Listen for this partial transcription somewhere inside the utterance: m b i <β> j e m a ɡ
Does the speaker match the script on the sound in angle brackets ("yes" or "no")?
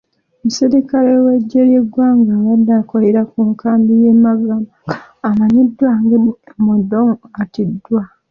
no